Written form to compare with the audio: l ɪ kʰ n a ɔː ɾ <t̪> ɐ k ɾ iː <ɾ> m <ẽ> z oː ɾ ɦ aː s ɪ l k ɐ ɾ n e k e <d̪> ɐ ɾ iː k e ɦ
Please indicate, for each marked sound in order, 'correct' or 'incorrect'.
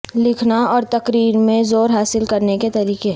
correct, correct, correct, incorrect: t̪

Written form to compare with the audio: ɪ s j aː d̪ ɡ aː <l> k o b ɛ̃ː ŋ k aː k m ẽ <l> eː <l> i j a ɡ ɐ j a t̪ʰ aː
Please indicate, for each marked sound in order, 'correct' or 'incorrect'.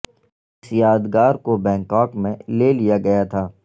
incorrect: ɾ, correct, correct

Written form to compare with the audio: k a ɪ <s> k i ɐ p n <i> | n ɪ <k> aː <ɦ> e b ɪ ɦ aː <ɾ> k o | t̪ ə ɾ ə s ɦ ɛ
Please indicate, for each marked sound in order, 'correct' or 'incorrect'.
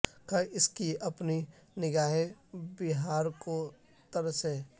correct, correct, incorrect: ɡ, correct, correct

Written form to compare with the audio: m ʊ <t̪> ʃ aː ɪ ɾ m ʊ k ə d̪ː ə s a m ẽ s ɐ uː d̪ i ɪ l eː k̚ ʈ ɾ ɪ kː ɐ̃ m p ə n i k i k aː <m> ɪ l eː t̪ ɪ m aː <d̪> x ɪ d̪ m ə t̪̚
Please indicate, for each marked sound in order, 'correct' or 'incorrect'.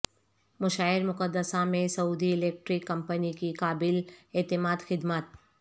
incorrect: none, incorrect: b, correct

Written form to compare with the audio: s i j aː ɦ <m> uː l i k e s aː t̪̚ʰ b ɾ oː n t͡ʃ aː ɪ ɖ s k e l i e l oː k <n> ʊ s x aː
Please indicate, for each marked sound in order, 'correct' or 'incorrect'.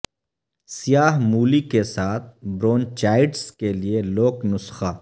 correct, correct

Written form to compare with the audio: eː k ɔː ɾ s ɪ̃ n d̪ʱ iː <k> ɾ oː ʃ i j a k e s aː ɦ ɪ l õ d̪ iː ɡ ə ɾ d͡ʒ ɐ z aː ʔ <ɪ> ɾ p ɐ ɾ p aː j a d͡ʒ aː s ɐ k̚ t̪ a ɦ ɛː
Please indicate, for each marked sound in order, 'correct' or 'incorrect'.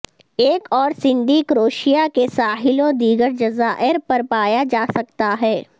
correct, correct

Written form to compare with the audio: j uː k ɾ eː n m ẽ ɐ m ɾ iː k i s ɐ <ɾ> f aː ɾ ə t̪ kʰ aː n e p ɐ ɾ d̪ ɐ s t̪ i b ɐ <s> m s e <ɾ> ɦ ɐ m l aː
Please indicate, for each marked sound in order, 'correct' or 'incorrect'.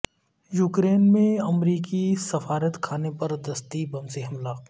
incorrect: none, incorrect: none, incorrect: none

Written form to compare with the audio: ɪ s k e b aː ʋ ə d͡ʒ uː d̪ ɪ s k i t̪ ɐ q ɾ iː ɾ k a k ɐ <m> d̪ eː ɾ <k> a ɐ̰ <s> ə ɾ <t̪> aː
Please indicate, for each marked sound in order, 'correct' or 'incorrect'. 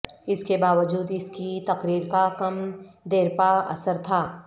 correct, incorrect: p, correct, incorrect: t̪ʰ

